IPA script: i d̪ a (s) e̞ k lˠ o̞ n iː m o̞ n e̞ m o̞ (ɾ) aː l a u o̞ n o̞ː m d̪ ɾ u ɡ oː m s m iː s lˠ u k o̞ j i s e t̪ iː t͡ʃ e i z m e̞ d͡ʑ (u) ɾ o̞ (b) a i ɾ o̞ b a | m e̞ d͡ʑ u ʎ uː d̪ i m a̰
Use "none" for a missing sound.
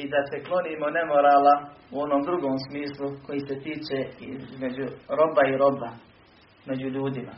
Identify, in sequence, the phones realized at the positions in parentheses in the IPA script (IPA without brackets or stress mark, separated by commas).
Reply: s, ɾ, u, b